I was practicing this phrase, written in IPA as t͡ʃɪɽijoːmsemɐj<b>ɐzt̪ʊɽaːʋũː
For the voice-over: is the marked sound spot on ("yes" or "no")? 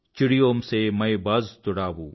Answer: yes